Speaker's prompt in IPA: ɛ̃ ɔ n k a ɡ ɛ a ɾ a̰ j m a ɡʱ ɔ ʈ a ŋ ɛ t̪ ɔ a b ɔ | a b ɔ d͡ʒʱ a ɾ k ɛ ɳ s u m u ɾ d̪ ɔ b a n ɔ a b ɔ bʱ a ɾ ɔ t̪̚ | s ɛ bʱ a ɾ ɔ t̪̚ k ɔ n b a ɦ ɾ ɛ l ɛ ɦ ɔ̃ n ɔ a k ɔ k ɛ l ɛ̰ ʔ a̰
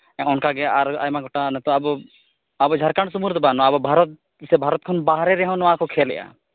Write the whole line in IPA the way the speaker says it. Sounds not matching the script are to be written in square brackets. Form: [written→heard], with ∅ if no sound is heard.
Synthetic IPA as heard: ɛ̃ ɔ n k a ɡ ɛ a ɾ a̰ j m a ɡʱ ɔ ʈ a [ŋ→n] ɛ t̪ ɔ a b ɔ | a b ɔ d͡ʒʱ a ɾ k [ɛ→a] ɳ s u m u ɾ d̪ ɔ b a n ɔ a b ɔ bʱ a ɾ ɔ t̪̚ | s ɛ bʱ a ɾ ɔ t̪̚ [k→kʰ] ɔ n b a ɦ ɾ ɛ [l→ɾ] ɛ ɦ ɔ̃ n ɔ a k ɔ [k→kʰ] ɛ l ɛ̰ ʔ a̰